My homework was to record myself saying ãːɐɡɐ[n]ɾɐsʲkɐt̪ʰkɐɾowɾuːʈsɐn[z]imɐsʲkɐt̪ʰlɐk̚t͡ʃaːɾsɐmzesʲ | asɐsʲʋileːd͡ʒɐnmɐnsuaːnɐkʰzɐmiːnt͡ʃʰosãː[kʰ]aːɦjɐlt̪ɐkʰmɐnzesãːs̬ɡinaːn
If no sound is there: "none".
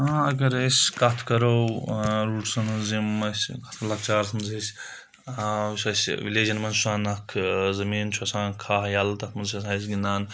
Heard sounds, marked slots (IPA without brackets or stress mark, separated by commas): none, z, kʰ